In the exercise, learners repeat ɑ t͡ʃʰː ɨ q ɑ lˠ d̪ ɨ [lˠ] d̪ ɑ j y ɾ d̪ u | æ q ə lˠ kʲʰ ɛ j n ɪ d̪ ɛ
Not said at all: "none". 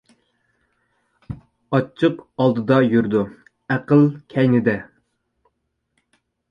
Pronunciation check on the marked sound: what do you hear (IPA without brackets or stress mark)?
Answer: none